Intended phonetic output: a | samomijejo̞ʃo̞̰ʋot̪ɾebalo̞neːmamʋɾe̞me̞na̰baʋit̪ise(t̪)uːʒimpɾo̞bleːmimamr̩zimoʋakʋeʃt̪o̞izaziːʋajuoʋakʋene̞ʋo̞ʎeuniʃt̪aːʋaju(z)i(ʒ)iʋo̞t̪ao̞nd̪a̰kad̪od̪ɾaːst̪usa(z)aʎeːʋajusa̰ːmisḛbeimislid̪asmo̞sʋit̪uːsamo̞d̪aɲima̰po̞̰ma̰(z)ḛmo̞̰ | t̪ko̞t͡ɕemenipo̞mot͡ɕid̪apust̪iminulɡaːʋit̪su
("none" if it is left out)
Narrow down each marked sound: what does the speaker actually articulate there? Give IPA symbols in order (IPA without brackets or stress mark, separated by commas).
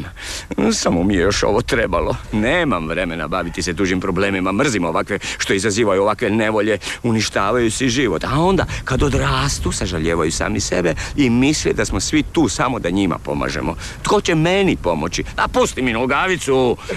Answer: d̪, s, ʒ, ʒ, ʒ